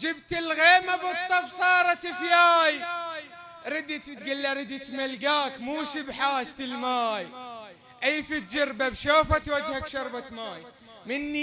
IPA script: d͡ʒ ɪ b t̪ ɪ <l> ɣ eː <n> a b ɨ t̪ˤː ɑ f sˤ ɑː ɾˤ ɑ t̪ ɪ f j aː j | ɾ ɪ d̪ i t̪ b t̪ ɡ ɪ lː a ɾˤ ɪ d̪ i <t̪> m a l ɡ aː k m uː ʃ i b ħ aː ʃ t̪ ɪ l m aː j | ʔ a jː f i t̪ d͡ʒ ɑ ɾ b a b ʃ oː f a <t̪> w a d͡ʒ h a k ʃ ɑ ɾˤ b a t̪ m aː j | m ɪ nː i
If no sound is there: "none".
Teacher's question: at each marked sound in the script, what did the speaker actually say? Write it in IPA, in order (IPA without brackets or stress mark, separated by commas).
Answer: l, m, t̪, t̪